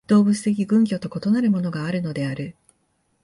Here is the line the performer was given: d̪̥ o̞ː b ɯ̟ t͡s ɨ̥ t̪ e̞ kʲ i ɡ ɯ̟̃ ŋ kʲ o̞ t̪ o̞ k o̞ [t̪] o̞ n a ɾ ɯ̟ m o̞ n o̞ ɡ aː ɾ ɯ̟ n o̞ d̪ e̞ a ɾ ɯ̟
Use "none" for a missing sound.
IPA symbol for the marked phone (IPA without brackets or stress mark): t̪